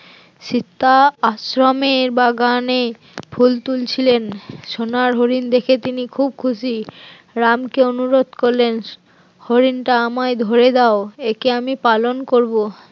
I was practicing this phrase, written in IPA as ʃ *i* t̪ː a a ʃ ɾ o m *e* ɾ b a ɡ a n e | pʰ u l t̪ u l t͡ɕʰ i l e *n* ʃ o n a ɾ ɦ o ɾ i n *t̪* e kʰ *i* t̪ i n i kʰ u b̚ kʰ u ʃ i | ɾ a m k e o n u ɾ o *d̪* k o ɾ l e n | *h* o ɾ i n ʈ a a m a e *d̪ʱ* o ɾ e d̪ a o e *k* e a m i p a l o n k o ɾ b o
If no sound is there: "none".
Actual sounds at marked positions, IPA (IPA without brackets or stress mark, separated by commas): i, e, n, d̪, e, d̪, h, d̪ʱ, k